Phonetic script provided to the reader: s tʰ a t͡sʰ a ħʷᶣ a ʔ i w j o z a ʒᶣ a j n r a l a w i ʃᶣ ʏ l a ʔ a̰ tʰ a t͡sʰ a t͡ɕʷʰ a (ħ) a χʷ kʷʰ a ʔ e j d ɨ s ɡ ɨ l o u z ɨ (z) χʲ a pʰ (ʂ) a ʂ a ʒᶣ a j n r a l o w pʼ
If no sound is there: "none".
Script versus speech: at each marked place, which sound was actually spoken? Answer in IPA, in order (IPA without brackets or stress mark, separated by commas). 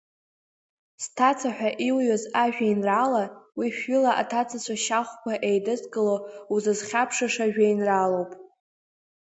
ʃ, z, ʂ